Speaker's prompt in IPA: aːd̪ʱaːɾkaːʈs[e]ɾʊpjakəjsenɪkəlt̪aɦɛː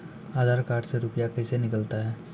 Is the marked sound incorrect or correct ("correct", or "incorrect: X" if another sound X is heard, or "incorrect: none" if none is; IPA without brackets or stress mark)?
correct